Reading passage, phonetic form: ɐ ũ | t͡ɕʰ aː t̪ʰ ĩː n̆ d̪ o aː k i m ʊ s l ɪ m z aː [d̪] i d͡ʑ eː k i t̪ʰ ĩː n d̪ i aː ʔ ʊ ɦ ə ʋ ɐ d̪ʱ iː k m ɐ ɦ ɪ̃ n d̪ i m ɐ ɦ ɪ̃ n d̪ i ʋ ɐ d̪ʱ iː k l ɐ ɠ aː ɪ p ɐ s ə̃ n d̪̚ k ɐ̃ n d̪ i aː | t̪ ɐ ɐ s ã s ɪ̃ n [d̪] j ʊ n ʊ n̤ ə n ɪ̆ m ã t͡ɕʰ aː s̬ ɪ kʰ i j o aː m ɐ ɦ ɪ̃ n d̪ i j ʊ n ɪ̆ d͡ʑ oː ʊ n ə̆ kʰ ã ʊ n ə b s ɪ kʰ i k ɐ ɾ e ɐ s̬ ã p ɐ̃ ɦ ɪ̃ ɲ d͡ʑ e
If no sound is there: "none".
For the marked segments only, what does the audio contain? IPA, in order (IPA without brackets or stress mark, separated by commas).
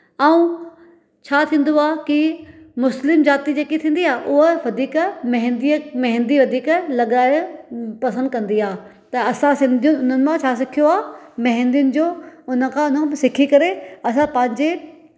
t̪, d̪